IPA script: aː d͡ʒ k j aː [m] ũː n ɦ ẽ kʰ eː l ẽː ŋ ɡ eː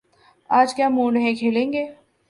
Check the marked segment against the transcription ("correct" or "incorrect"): correct